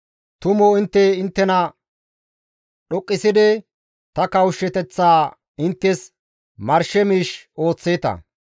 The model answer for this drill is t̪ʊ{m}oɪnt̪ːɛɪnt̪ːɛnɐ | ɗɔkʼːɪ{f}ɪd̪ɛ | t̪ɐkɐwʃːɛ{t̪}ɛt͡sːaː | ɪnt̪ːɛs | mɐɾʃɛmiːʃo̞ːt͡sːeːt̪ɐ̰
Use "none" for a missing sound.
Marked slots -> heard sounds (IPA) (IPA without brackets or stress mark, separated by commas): m, s, t̪